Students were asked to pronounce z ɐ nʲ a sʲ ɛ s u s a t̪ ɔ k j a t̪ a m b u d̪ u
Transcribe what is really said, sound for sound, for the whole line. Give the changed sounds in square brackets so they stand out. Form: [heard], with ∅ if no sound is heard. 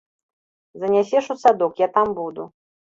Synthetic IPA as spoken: z ɐ nʲ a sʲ ɛ [ʂ] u s a [d̪] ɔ k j a t̪ a m b u d̪ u